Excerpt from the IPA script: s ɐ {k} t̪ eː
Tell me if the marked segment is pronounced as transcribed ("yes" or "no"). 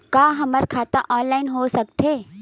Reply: yes